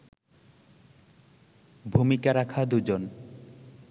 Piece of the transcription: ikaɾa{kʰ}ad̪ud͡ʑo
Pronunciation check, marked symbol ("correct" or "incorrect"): correct